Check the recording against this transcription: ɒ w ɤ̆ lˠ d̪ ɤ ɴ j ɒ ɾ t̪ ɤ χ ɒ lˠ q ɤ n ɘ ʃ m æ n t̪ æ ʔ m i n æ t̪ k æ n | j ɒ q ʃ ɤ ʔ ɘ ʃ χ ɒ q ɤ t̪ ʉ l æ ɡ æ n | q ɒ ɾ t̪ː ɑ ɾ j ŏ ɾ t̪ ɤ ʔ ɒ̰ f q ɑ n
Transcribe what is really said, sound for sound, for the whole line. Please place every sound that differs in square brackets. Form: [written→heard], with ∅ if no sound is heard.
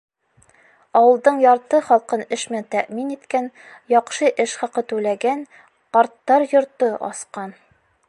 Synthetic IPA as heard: ɒ w ɤ̆ lˠ d̪ ɤ ɴ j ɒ ɾ t̪ ɤ χ ɒ lˠ q ɤ n ɘ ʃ m æ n t̪ æ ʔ m i n [æ→i] t̪ k æ n | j ɒ q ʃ ɤ ʔ ɘ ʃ χ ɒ q ɤ t̪ ʉ l æ ɡ æ n | q ɒ ɾ t̪ː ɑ ɾ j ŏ ɾ t̪ ɤ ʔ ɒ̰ [f→s] q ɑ n